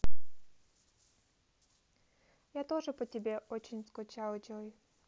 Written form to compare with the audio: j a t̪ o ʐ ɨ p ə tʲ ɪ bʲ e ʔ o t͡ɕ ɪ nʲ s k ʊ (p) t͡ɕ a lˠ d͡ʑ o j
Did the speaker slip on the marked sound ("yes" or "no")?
yes